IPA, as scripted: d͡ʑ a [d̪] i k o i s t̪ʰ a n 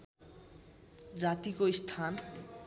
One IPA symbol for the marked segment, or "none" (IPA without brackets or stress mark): t̪